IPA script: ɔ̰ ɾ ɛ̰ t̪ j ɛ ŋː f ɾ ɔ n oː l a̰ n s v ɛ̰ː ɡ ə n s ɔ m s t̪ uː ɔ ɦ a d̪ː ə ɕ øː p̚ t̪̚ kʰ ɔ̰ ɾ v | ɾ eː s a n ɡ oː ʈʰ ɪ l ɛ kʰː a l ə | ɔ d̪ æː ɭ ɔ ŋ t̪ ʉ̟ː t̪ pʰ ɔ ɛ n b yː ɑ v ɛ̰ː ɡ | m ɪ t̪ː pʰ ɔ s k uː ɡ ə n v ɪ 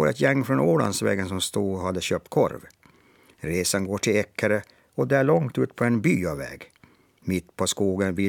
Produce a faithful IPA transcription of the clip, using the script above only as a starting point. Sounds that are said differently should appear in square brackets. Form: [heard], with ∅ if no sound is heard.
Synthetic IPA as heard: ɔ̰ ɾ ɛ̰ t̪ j ɛ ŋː f ɾ ɔ n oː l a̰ n s v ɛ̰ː ɡ ə n s ɔ m s t̪ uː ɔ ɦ a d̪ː ə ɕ øː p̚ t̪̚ kʰ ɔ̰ ɾ v | ɾ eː s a n ɡ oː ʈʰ ɪ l ɛ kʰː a [ɾ] ə | ɔ d̪ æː ɭ ɔ ŋ t̪ ʉ̟ː t̪ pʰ ɔ ɛ n b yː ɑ v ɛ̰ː ɡ | m ɪ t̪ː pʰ ɔ s k uː ɡ ə n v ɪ